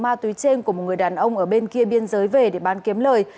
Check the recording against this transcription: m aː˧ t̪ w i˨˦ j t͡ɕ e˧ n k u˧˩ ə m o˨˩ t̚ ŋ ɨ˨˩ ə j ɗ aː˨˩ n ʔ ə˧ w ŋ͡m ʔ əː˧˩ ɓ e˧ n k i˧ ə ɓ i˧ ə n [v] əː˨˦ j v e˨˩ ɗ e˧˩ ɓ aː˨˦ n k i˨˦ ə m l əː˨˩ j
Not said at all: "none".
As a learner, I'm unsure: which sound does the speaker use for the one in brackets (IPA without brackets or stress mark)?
z